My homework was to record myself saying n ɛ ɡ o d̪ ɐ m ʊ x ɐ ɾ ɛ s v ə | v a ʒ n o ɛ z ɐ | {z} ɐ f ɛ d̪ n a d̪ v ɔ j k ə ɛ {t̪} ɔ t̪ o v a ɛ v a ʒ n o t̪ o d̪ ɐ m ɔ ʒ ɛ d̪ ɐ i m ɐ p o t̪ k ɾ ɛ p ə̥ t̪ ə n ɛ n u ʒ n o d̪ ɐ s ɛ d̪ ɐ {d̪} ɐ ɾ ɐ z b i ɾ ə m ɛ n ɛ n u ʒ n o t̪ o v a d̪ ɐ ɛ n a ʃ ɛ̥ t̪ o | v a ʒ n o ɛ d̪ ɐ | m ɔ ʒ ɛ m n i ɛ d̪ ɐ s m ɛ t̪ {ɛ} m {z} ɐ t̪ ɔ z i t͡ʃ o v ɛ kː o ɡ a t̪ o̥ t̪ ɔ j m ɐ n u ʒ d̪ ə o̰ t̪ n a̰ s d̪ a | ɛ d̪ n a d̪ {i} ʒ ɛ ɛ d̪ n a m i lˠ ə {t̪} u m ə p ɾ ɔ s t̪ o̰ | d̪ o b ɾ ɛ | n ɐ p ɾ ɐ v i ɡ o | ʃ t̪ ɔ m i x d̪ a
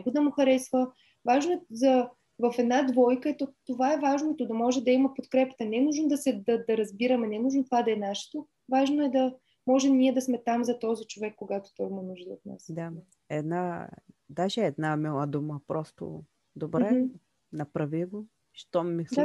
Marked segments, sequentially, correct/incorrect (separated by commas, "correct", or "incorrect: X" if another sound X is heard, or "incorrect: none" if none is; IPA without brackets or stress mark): incorrect: v, correct, correct, incorrect: a, correct, incorrect: a, incorrect: d̪